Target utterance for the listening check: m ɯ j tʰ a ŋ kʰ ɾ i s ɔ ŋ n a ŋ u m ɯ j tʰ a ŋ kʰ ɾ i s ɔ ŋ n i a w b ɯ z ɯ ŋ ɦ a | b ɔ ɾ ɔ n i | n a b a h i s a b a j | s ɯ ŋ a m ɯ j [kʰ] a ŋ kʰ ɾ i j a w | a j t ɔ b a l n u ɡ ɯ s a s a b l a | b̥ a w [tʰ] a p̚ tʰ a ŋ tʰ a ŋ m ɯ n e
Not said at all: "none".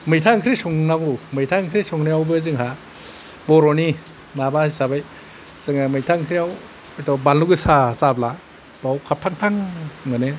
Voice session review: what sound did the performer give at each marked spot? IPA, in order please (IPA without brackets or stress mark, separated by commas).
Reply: tʰ, kʰ